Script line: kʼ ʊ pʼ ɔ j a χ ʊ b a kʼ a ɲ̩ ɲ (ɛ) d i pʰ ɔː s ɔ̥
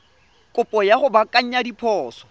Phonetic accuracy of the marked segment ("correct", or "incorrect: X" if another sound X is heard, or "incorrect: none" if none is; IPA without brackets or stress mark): incorrect: a